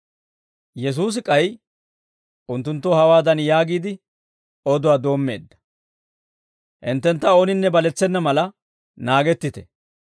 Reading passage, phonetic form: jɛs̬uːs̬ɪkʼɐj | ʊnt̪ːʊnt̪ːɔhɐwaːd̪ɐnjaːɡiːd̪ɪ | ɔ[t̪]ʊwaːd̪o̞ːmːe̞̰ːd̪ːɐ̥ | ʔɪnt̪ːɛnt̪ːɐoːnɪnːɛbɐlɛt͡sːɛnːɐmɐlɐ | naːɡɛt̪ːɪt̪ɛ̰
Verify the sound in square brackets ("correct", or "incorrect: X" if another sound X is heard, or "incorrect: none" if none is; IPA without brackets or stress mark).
incorrect: d̪